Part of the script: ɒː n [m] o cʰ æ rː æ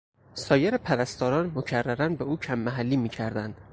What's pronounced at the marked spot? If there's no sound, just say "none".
m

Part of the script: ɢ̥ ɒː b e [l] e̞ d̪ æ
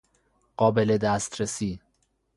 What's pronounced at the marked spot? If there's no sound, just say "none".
l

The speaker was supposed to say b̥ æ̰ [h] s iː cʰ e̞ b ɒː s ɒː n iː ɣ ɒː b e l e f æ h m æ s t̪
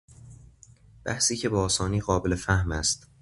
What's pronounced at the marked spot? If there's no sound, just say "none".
h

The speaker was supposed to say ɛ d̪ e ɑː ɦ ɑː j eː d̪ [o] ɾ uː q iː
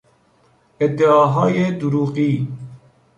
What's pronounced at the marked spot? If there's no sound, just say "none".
u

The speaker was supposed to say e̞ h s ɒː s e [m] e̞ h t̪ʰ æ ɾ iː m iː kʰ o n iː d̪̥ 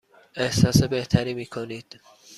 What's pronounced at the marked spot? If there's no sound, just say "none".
b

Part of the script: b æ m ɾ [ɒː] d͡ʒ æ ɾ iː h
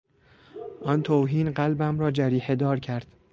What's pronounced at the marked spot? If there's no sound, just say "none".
ɒː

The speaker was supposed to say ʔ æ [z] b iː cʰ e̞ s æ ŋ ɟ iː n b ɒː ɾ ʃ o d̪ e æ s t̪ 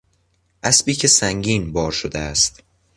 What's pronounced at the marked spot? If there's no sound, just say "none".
s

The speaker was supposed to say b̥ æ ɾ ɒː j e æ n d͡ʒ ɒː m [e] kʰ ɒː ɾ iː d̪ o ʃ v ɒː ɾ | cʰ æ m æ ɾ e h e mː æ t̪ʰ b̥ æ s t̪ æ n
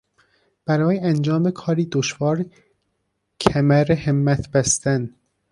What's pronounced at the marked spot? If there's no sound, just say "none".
e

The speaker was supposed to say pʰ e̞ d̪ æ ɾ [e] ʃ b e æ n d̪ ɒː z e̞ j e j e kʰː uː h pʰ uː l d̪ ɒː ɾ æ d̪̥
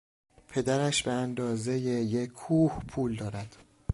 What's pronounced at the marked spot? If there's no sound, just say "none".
æ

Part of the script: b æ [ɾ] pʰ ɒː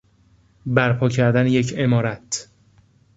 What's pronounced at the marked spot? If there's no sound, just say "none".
ɾ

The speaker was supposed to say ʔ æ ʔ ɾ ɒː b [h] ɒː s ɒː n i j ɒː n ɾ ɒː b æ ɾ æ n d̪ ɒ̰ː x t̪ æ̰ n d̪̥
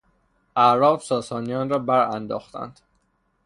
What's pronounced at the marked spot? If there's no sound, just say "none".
s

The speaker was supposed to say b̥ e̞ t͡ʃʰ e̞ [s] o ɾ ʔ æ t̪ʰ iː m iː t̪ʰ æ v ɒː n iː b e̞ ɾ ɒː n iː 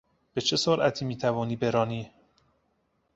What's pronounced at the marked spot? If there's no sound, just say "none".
s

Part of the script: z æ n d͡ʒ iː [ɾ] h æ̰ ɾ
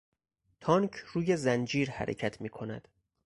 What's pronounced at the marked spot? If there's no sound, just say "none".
ɾ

